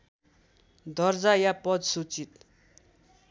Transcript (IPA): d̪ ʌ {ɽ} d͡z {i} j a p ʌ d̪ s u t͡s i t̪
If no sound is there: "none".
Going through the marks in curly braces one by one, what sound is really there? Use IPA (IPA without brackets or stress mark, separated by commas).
r, a